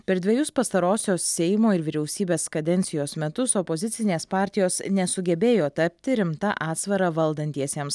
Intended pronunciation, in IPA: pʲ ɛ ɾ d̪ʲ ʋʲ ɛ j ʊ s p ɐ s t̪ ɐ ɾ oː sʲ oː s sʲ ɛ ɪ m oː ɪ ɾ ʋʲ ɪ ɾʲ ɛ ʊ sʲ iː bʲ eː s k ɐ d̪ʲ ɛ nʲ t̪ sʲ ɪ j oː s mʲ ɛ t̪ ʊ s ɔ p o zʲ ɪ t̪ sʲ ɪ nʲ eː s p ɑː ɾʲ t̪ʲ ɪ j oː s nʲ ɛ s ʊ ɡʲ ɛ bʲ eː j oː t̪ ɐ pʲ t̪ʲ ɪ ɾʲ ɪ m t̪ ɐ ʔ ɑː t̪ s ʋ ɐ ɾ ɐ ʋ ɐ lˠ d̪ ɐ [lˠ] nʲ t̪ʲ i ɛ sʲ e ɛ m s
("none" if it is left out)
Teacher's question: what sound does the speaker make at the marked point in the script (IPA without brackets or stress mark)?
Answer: none